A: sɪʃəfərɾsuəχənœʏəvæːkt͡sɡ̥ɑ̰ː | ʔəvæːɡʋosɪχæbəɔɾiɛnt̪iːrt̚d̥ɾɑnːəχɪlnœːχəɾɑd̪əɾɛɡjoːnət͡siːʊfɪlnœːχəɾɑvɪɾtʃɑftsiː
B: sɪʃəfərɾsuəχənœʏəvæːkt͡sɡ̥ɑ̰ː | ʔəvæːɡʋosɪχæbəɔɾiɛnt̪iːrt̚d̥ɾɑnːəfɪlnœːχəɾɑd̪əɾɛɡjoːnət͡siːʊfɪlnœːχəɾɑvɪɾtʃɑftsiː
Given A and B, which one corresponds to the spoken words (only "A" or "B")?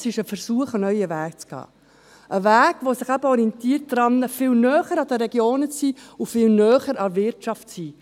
B